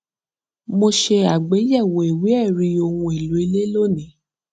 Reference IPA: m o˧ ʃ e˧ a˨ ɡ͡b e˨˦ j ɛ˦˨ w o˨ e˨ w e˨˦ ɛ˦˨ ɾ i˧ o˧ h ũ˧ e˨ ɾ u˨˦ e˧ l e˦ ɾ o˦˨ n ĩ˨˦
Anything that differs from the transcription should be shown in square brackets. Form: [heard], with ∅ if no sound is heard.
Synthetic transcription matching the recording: m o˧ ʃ e˧ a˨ ɡ͡b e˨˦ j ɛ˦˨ w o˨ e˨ w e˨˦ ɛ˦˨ ɾ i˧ o˧ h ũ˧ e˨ [l] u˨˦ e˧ l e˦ [l] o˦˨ n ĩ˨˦